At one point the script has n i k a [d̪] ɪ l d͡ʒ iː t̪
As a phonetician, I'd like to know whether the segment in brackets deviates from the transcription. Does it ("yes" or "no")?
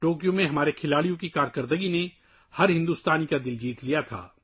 no